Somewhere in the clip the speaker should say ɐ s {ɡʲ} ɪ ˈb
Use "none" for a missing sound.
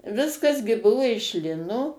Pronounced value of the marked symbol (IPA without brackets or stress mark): ɡʲ